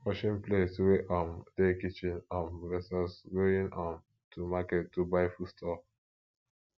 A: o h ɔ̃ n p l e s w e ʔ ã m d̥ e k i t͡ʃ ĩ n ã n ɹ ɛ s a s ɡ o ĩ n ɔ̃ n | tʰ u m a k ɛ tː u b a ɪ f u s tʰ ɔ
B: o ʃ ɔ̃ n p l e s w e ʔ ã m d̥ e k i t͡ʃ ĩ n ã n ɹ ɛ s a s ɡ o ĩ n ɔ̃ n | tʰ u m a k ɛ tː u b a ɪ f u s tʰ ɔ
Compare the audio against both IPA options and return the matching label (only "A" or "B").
B